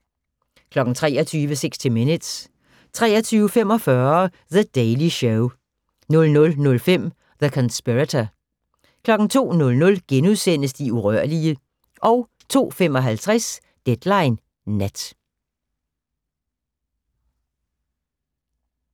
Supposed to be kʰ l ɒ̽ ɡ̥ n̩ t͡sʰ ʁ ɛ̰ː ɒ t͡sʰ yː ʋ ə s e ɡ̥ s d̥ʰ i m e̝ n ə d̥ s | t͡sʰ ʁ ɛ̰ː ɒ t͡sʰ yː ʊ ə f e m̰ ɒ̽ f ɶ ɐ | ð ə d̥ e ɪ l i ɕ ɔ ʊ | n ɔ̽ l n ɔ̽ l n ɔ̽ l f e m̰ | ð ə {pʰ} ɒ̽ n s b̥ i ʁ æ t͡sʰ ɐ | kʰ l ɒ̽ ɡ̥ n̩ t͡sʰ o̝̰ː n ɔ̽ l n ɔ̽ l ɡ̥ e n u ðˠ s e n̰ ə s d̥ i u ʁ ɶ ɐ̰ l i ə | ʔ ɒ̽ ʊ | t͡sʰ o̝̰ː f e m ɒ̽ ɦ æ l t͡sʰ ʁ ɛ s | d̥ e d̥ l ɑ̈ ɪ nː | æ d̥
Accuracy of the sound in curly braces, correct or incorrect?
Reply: incorrect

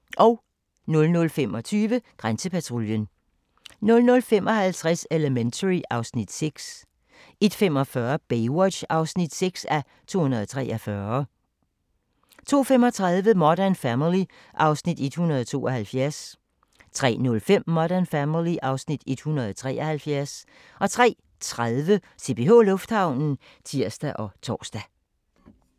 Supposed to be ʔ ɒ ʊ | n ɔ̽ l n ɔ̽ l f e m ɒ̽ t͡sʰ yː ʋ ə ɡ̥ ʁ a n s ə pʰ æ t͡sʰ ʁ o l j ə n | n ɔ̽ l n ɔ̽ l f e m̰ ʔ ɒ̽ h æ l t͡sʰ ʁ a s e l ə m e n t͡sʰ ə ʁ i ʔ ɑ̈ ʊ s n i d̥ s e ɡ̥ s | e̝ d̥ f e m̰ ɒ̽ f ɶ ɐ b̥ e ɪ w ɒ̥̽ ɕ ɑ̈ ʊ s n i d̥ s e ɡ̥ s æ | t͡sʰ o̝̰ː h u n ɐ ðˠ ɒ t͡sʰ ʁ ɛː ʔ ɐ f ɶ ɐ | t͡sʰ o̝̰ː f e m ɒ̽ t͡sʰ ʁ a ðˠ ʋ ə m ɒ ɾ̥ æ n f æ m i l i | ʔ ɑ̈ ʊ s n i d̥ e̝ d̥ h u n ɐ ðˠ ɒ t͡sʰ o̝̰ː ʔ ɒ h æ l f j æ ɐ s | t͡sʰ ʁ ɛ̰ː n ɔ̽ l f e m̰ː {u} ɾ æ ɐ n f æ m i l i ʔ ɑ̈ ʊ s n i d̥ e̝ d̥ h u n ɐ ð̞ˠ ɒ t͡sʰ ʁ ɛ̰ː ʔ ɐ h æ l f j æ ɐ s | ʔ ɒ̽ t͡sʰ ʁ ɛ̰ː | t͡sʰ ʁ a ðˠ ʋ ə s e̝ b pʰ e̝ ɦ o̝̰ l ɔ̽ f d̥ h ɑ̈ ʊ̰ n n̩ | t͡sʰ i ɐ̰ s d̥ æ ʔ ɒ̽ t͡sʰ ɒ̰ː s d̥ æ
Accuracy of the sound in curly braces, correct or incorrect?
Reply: incorrect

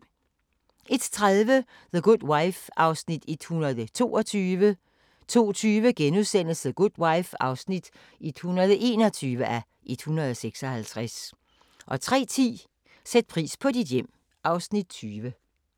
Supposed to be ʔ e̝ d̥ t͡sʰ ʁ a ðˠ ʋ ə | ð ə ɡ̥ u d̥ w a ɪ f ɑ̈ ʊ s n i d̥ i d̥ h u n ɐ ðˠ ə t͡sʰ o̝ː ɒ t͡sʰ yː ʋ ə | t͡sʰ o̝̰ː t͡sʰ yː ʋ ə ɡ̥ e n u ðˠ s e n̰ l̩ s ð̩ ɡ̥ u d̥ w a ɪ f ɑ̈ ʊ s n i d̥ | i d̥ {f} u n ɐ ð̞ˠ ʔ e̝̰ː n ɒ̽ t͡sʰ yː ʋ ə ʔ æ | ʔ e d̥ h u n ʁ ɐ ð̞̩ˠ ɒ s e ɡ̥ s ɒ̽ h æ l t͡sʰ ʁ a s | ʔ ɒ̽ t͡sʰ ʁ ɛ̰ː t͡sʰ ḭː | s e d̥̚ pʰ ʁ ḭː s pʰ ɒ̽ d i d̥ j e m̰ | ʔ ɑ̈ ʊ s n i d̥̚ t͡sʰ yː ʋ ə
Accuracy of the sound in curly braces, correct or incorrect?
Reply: incorrect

